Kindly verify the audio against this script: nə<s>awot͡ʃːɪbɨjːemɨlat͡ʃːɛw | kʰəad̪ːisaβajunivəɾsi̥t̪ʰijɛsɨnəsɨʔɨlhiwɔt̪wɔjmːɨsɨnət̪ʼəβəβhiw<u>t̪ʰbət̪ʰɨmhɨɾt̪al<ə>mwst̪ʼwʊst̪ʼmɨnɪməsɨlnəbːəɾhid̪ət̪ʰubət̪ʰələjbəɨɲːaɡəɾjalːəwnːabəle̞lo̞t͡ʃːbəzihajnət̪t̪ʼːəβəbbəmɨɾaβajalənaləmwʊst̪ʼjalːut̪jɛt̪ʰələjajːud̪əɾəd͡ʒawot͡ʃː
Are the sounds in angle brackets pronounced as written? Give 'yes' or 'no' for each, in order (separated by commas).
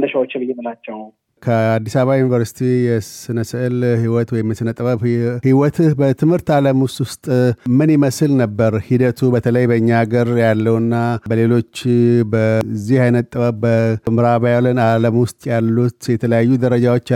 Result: no, no, yes